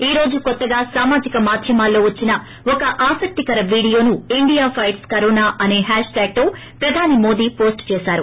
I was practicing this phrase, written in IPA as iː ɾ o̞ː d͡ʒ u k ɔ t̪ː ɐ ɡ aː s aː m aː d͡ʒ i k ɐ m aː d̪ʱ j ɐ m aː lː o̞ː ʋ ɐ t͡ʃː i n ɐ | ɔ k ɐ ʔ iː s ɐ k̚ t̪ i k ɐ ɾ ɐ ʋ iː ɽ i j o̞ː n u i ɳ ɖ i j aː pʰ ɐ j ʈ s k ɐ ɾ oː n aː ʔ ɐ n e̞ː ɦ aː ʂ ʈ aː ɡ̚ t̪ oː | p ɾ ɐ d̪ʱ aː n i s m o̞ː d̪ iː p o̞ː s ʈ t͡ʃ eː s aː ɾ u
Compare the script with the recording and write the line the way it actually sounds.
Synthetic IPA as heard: iː ɾ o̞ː d͡ʒ u k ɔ t̪ː ɐ ɡ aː s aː m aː d͡ʒ i k ɐ m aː d̪ʱ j ɐ m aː lː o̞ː ʋ ɐ t͡ʃː i n ɐ | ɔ k ɐ ʔ aː s ɐ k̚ t̪ i k ɐ ɾ ɐ ʋ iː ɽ i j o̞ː n u i ɳ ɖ i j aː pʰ ɐ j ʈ s k ɐ ɾ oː n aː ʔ ɐ n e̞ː ɦ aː ʂ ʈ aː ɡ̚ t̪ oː | p ɾ ɐ d̪ʱ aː n i m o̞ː d̪ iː p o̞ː s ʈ t͡ʃ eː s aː ɾ u